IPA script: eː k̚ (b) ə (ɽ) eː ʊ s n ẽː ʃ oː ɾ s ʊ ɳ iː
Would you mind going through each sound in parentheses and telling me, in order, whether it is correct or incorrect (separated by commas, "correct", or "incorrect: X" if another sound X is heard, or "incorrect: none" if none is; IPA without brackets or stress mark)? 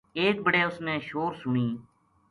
correct, correct